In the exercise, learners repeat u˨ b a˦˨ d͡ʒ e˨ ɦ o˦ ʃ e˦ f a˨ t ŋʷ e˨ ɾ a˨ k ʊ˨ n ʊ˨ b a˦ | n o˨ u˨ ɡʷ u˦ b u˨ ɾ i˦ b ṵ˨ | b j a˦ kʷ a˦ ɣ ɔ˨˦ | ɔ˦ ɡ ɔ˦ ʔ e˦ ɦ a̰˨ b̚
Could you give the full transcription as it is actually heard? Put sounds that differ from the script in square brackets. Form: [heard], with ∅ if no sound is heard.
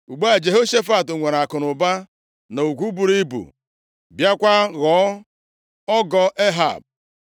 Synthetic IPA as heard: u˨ [ɡ͡b] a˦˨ d͡ʒ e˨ ɦ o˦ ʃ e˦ f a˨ t ŋʷ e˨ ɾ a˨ k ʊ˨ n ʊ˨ b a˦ | n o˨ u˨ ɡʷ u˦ b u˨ ɾ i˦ b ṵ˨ | b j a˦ kʷ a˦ ɣ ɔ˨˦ | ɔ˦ ɡ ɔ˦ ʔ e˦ ɦ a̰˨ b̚